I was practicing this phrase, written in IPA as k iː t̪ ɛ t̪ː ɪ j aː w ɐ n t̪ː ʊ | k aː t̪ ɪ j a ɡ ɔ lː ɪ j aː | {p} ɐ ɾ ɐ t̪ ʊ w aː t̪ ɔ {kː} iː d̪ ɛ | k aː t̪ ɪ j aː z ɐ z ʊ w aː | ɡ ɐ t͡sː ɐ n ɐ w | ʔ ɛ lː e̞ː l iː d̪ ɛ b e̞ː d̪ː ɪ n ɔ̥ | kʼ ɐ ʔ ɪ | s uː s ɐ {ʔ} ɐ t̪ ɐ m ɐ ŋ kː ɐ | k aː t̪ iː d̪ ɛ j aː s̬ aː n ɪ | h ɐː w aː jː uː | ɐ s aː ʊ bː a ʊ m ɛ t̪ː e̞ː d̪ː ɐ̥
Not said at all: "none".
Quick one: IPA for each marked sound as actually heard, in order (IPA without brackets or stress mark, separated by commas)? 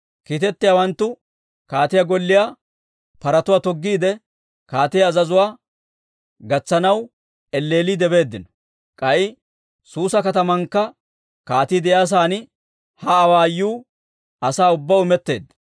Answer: p, ɡː, k